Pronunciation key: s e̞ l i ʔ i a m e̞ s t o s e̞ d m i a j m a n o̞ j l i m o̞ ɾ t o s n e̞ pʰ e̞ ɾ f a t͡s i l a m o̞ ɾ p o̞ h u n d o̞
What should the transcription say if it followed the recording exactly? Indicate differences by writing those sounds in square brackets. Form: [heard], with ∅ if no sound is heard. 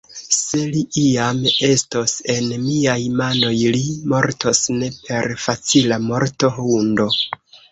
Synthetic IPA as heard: s e̞ l i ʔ i a m e̞ s t o s e̞ [n] m i a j m a n o̞ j l i m o̞ ɾ t o s n e̞ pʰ e̞ ɾ f a t͡s i l a m o̞ ɾ [t] o̞ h u n d o̞